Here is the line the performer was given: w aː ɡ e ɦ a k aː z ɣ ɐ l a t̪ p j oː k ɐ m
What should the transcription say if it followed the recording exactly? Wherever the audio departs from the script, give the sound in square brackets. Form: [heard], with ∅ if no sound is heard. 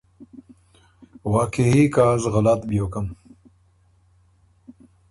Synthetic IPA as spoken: w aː [k] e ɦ [i] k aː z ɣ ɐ l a t̪ [b] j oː k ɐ m